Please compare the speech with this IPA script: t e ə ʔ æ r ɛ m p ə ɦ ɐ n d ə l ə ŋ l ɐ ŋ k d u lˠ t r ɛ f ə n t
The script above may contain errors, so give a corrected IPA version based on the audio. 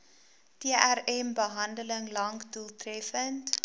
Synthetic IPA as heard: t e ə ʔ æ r ɛ m b ə ɦ ɐ n d ə l ə ŋ l ɐ ŋ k d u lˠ t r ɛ f ə n t